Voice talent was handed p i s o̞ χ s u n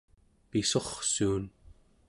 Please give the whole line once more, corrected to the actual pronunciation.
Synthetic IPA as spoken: p i s o̞ χ s uː n